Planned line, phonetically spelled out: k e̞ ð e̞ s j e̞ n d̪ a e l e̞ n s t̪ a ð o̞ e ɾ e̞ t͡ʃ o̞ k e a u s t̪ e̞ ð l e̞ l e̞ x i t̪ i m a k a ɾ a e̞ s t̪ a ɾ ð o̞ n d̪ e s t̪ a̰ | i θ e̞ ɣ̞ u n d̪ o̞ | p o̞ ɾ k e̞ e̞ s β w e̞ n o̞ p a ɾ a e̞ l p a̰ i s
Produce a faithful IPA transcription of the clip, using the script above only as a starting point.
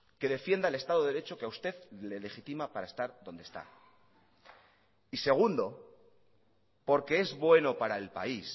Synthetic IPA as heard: k e̞ ð e̞ f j e̞ n d̪ a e l e̞ s t̪ a ð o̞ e ɾ e̞ t͡ʃ o̞ k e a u s t̪ e̞ ð l e̞ l e̞ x i t̪ i m a p a ɾ a e̞ s t̪ a ɾ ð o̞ n d̪ e s t̪ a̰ | i s e̞ ɣ̞ u n d̪ o̞ | p o̞ ɾ k e̞ e̞ z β w e̞ n o̞ p a ɾ a e̞ l p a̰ i s